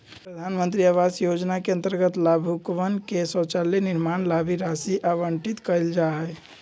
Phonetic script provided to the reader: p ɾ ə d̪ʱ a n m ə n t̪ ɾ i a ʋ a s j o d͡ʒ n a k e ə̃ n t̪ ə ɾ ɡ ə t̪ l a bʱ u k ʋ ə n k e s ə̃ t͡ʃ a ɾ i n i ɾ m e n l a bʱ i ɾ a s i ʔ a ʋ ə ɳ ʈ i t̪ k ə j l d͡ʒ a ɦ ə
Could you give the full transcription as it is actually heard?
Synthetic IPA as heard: p ɾ ə d̪ʱ a n m ə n t̪ ɾ i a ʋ a s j o d͡ʒ n a k e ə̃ n t̪ ə ɾ ɡ ə t̪ l a bʱ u k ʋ ə n k e s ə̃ t͡ʃ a l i n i ɾ m a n l a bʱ i ɾ a s i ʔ a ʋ ə ɳ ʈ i t̪ k ə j l d͡ʒ a ɦ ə